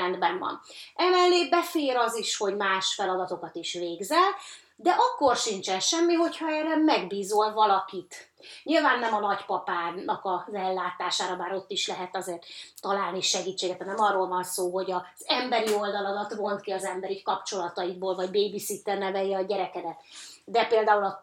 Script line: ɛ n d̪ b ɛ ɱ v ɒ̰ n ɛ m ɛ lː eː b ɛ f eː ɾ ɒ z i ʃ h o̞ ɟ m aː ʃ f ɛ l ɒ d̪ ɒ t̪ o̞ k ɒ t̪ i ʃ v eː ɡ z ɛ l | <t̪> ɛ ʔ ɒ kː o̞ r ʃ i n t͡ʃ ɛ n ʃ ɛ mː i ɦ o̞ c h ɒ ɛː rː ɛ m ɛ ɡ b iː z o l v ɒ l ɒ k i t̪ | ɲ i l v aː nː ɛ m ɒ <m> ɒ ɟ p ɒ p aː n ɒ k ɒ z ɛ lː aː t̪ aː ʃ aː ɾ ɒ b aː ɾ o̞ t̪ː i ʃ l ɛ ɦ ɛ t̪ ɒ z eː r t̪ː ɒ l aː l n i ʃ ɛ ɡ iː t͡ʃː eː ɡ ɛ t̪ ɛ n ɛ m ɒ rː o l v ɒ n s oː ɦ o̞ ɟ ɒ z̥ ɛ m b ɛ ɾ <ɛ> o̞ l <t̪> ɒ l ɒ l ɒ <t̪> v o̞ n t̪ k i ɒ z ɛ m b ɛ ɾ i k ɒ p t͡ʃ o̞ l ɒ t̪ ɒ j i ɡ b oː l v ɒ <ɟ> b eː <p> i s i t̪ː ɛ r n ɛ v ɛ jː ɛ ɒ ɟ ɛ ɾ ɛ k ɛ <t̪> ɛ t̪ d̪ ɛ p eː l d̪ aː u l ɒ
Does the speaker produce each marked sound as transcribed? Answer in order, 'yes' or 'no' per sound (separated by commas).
no, no, no, no, yes, yes, no, no